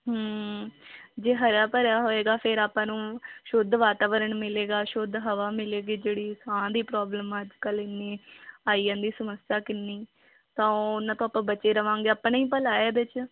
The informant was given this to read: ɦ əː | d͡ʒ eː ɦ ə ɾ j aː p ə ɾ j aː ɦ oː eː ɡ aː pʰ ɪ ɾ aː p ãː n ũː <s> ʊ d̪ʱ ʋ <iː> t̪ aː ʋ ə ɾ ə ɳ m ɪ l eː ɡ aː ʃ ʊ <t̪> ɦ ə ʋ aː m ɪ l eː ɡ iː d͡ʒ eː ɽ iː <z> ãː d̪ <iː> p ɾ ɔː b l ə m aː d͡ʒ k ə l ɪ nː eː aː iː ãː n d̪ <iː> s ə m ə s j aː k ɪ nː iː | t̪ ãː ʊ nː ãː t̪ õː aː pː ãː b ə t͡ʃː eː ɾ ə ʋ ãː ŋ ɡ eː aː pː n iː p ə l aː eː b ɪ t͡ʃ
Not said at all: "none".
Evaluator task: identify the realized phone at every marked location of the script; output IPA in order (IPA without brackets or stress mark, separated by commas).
ʃ, aː, d̪, s, iː, iː